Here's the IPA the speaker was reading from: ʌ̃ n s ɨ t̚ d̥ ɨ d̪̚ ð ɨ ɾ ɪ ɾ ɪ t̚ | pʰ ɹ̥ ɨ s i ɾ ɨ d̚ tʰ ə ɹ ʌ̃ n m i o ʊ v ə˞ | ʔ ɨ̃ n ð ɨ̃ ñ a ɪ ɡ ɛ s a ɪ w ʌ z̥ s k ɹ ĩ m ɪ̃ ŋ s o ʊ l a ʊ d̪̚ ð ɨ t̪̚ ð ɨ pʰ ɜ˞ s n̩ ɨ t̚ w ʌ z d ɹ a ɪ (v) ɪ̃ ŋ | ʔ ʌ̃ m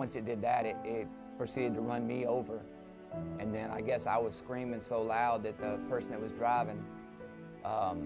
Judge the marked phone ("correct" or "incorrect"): correct